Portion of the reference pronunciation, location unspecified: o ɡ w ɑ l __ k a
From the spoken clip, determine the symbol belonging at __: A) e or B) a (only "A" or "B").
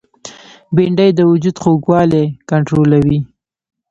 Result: A